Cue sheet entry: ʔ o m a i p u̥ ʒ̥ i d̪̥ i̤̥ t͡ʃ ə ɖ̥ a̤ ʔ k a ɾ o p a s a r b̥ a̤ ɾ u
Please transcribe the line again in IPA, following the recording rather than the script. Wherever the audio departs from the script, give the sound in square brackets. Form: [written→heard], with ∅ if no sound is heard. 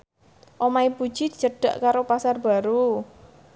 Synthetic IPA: ʔ o m a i p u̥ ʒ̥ i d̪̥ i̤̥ t͡ʃ ə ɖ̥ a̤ ʔ k a ɾ o p a s a r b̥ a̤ ɾ u